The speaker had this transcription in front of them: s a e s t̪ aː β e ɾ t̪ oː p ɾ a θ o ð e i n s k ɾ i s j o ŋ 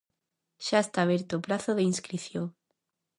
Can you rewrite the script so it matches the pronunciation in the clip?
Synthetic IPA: ʃ a e s t̪ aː β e ɾ t̪ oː p ɾ a θ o ð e i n s k ɾ i θ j o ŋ